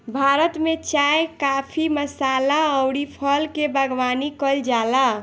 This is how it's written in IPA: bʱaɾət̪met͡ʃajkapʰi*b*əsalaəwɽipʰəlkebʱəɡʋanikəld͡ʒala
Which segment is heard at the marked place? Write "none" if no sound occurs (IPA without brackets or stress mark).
m